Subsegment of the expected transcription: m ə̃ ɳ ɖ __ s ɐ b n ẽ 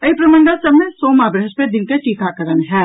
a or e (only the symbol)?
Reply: a